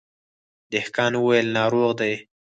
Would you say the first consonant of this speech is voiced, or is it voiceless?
voiced